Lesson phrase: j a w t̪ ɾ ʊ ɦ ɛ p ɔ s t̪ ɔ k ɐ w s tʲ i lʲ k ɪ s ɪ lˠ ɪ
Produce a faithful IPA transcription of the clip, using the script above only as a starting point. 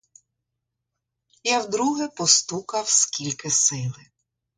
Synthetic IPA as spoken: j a w d̪ ɾ u ɦ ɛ p ɔ s t̪ u k ɐ w s kʲ i lʲ k ɪ s ɪ lˠ ɪ